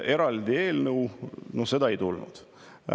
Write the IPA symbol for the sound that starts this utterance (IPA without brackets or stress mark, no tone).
e̞